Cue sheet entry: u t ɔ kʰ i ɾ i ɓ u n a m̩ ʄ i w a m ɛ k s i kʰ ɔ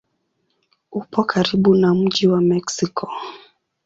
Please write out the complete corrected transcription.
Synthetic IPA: u p ɔ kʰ a ɾ i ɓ u n a m̩ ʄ i w a m ɛ k s i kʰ ɔ